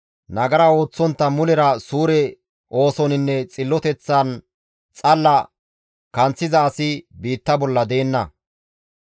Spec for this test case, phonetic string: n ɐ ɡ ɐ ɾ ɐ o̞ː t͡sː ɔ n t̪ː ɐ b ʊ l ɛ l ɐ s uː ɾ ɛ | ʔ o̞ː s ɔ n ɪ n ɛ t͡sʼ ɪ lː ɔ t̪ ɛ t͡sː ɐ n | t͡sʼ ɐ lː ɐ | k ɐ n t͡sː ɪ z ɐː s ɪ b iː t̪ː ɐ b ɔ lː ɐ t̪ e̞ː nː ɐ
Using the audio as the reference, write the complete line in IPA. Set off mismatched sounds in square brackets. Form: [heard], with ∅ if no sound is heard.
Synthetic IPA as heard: n ɐ ɡ ɐ ɾ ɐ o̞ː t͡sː ɔ n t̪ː ɐ [m] ʊ l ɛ [ɾ] ɐ s uː ɾ ɛ | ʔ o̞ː s ɔ n ɪ [nː] ɛ t͡sʼ ɪ lː ɔ t̪ ɛ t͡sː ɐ n | t͡sʼ ɐ lː ɐ | k ɐ n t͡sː ɪ z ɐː s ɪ b iː t̪ː ɐ b ɔ lː ɐ [d̪] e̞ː nː ɐ